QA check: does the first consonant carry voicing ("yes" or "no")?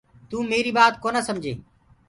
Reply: no